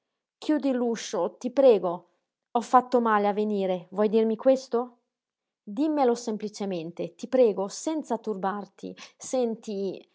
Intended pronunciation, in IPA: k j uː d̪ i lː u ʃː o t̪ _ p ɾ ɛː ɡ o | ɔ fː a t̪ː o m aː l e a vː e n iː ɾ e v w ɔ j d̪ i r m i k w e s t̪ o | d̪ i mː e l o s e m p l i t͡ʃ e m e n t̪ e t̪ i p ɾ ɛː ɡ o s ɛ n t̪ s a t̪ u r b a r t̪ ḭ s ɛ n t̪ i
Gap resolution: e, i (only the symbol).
i